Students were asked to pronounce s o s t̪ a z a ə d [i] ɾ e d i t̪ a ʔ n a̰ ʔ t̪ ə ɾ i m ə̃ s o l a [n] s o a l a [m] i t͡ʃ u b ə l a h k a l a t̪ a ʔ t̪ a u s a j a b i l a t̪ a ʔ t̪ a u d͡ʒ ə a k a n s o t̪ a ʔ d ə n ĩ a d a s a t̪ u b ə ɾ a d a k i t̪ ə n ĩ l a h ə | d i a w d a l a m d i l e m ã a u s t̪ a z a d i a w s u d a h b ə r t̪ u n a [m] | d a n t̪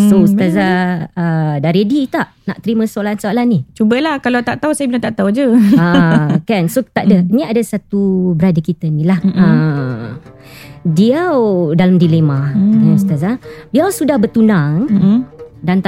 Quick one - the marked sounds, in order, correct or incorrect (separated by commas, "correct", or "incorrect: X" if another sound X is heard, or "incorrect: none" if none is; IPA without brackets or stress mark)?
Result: incorrect: a, correct, incorrect: n, incorrect: ŋ